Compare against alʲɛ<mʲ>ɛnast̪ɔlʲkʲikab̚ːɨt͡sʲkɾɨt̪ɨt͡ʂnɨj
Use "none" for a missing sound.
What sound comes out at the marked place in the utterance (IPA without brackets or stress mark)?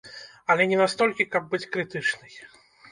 nʲ